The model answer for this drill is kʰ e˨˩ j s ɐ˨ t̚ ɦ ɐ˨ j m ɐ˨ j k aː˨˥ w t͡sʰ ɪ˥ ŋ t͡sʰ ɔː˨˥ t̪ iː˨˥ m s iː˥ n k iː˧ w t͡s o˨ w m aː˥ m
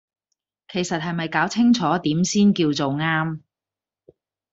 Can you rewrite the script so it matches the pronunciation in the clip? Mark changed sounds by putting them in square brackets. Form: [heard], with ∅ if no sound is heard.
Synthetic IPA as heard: kʰ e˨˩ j s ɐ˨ t̚ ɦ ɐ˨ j m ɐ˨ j k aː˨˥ w t͡sʰ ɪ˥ ŋ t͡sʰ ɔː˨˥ t̪ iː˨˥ m s iː˥ n k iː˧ w t͡s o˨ w [ŋ] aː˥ m